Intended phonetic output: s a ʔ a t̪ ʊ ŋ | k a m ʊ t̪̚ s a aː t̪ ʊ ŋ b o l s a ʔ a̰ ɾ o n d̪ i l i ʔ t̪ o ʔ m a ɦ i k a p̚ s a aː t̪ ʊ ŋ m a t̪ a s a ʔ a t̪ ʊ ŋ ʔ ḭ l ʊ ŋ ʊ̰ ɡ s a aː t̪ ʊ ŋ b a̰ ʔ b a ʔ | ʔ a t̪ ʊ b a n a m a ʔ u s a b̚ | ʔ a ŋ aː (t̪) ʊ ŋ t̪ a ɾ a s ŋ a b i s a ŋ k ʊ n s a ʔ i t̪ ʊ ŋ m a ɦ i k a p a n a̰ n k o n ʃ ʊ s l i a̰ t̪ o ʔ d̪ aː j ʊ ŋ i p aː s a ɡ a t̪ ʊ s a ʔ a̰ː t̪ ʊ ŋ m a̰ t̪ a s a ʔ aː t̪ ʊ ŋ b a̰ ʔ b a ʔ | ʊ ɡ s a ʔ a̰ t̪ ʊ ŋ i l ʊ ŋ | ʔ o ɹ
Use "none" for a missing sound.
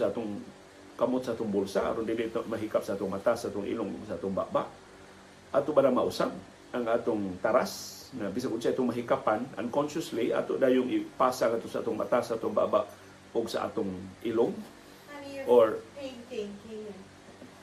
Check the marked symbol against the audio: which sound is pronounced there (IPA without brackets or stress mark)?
t̪